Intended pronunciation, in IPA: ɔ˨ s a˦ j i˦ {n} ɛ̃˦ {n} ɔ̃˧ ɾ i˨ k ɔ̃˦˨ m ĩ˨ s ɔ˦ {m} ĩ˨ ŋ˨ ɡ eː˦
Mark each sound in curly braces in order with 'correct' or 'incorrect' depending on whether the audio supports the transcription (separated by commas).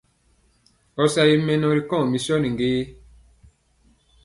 incorrect, correct, incorrect